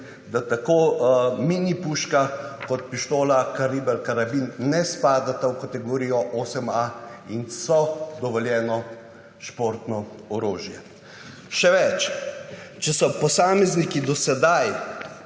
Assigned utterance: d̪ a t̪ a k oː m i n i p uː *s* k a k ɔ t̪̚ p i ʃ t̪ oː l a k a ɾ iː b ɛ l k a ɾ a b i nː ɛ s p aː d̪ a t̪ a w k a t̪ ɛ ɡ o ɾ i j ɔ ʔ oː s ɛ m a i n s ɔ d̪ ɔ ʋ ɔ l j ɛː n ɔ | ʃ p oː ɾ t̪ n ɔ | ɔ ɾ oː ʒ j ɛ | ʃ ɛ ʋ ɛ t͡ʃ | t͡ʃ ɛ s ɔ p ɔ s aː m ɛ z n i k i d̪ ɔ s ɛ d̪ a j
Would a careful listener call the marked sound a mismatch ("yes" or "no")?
yes